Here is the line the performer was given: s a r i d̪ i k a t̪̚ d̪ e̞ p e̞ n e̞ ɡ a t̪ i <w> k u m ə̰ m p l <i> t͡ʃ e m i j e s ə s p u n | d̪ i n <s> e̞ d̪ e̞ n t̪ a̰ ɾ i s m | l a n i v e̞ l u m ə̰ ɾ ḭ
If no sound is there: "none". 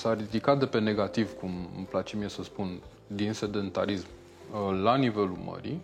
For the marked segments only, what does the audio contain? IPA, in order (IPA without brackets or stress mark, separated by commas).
v, a, s